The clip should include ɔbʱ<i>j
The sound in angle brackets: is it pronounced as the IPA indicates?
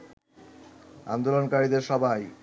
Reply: no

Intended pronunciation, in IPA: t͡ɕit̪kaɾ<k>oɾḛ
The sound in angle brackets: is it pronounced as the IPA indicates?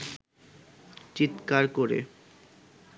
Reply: yes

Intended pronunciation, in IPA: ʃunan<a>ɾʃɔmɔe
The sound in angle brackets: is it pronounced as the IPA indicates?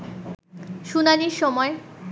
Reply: no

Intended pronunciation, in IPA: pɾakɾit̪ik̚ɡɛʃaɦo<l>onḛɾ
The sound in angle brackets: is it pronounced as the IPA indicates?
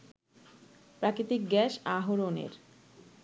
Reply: no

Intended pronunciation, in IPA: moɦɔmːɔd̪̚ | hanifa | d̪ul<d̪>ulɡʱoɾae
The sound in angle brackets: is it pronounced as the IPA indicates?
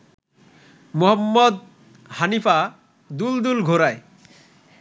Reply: yes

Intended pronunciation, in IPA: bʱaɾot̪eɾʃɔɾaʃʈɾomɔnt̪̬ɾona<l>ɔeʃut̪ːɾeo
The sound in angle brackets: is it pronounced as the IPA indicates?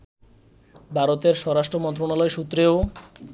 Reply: yes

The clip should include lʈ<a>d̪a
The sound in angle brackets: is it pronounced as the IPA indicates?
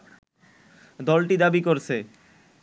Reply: no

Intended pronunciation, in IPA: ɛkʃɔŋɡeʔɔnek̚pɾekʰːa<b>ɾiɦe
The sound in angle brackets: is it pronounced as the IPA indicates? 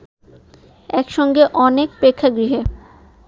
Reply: no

